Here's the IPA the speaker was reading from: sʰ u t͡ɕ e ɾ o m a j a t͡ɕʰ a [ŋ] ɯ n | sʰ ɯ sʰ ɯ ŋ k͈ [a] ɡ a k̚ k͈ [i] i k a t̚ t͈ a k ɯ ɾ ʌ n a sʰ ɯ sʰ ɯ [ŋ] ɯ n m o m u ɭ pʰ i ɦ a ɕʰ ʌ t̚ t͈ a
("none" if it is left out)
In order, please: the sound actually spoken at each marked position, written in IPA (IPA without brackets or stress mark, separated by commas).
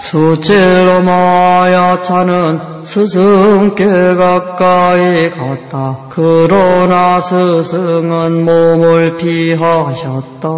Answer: n, e, a, ŋ